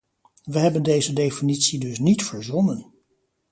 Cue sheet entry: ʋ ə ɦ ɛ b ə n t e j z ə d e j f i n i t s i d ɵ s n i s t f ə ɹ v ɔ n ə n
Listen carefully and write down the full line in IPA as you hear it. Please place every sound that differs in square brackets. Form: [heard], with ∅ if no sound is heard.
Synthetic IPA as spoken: ʋ ə ɦ ɛ b ə n [d] e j z ə d e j f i n i t s i d ɵ s n i [∅] t f ə ɹ [z] ɔ n ə n